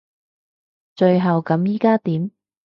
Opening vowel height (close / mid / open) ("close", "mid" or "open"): mid